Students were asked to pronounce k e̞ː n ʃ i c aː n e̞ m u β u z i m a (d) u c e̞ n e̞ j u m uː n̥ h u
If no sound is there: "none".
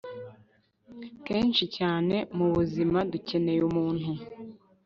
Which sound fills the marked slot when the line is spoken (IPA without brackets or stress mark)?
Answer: d